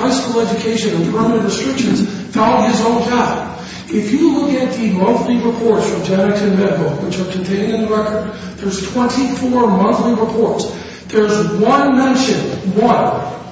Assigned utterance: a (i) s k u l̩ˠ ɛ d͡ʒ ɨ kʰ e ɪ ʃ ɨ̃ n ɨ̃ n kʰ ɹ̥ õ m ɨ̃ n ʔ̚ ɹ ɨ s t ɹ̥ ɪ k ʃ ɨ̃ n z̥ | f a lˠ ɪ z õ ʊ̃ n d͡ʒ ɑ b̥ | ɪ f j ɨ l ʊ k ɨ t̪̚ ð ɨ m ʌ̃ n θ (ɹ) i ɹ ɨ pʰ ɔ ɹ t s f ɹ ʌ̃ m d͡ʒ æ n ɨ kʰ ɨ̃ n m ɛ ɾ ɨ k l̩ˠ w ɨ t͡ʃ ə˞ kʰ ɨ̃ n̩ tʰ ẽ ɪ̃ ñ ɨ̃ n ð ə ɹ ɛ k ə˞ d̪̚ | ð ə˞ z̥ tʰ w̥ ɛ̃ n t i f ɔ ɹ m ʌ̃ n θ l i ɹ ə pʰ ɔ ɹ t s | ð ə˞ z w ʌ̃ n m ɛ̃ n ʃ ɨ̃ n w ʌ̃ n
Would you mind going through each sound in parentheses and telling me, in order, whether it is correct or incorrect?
incorrect: ɪ, incorrect: l

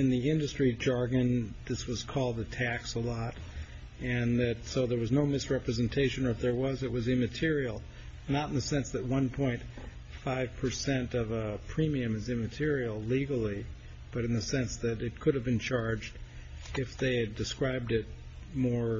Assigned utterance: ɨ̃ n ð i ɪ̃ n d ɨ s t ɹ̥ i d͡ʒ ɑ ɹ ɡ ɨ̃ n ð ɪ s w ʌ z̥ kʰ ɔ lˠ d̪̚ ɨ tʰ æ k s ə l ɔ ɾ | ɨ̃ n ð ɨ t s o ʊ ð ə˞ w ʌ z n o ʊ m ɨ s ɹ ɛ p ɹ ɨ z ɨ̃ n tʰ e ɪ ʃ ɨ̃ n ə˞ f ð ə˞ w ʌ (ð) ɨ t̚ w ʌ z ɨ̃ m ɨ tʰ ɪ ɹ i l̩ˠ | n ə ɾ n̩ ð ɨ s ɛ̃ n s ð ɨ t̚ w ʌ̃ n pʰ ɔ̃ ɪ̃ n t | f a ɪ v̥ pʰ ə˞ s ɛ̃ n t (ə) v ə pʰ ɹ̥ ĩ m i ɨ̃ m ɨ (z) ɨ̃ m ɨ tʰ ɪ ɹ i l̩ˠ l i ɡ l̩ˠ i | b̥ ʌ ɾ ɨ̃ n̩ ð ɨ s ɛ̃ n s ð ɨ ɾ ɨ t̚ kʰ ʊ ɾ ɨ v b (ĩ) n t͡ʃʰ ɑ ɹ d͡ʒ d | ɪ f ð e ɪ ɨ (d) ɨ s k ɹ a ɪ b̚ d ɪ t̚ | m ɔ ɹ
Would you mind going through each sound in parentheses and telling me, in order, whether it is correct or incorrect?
incorrect: z, incorrect: ʌ, correct, incorrect: ɨ̃, correct

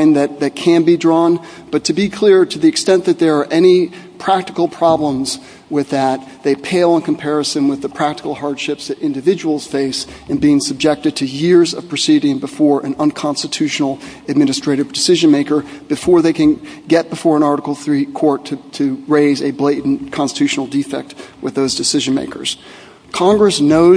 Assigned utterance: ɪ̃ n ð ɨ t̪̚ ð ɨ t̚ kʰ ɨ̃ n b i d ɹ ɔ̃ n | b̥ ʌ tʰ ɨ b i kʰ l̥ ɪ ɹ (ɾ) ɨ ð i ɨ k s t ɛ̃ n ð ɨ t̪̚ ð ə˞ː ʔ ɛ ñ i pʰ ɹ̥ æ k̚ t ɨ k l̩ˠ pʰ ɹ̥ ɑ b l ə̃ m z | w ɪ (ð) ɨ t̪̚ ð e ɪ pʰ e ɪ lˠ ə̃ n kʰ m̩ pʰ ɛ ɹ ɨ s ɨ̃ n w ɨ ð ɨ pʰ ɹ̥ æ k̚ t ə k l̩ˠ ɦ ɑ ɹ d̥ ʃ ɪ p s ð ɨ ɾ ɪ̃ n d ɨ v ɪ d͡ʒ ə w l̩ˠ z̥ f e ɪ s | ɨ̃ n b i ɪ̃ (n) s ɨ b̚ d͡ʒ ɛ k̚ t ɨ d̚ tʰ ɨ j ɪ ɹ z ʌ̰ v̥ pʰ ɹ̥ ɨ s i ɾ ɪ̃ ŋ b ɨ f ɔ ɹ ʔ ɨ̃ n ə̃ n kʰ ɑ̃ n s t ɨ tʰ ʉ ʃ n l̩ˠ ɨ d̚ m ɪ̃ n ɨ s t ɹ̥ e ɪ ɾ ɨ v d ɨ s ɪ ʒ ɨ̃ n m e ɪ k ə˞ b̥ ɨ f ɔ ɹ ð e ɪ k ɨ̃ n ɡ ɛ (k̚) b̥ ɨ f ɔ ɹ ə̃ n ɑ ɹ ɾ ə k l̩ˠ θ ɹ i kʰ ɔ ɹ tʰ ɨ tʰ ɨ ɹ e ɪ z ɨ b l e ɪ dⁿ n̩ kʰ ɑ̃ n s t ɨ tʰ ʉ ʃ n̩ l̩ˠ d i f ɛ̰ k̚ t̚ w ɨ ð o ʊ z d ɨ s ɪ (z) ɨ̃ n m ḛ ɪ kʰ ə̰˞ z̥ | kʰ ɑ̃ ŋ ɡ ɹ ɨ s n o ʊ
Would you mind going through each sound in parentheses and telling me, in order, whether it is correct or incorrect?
correct, correct, incorrect: ŋ, incorrect: t̚, incorrect: ʒ

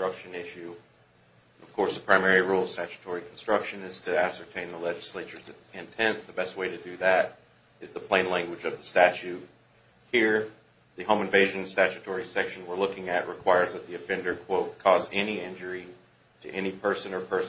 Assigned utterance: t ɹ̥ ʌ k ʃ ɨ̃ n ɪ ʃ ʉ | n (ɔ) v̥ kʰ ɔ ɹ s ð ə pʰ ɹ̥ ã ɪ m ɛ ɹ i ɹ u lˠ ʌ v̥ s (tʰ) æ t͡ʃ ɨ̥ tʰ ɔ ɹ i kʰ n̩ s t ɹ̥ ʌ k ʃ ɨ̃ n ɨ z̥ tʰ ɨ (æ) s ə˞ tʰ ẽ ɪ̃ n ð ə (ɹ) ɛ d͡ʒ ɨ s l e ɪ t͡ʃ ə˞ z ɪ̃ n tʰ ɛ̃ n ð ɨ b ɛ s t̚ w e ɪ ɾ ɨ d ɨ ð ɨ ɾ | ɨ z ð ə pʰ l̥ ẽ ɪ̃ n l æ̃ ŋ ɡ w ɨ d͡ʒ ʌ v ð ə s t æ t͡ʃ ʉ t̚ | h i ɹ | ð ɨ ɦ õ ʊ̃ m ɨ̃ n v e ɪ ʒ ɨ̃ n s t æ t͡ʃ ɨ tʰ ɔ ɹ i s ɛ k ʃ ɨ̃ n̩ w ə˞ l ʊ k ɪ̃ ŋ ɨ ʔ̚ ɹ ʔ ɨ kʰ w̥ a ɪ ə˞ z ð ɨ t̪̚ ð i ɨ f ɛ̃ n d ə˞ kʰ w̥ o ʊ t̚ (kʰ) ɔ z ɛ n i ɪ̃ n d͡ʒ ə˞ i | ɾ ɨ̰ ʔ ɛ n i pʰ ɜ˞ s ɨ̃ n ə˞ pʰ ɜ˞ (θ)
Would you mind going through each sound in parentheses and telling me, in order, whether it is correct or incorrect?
incorrect: ʌ, incorrect: t, correct, incorrect: l, correct, incorrect: s

